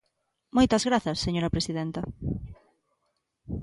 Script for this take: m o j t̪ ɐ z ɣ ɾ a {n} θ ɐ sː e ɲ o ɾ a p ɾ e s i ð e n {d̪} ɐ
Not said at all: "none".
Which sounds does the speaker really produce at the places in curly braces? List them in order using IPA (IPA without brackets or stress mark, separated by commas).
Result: none, t̪